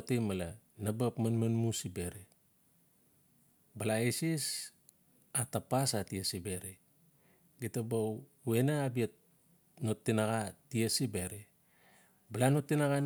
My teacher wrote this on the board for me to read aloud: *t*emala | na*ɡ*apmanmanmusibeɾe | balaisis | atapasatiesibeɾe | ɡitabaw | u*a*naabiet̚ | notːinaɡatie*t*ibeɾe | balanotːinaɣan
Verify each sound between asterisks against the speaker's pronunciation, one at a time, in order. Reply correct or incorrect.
correct, incorrect: b, incorrect: e, incorrect: s

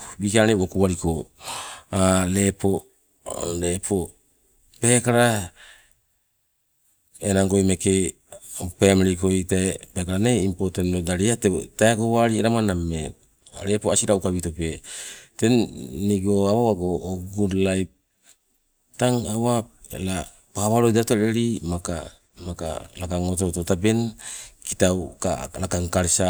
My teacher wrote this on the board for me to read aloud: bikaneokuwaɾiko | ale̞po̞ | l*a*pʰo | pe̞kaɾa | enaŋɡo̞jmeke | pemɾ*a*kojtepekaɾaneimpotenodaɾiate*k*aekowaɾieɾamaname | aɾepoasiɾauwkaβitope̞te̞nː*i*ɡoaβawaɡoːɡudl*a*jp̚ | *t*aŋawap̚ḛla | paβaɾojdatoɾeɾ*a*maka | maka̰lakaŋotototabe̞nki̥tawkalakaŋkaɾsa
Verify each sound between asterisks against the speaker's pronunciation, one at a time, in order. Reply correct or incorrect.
incorrect: e, incorrect: i, incorrect: t, correct, correct, correct, incorrect: i

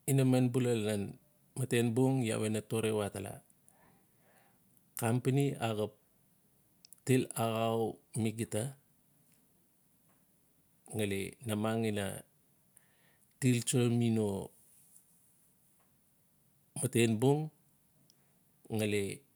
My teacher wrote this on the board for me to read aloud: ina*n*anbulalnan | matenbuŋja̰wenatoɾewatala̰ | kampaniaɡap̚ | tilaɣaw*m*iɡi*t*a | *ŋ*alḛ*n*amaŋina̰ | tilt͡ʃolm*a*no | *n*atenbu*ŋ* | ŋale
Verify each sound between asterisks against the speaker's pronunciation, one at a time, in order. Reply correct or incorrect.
incorrect: m, correct, correct, correct, correct, incorrect: i, incorrect: m, correct

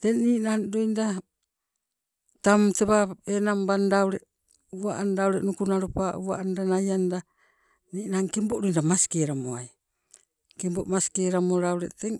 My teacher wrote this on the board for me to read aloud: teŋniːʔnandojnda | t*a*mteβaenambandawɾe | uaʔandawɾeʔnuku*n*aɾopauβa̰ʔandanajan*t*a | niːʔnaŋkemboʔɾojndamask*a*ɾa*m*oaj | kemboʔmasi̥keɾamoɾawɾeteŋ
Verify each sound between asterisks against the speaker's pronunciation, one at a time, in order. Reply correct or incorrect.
correct, correct, incorrect: d, incorrect: e, correct

